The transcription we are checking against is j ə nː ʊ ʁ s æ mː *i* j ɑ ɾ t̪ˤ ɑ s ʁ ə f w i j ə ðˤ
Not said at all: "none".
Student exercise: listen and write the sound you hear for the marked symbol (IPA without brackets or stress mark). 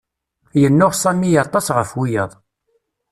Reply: i